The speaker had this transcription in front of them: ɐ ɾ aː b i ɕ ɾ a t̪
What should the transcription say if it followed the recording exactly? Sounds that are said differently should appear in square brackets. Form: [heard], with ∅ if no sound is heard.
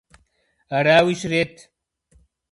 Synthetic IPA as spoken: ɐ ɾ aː [w] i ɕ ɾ [e] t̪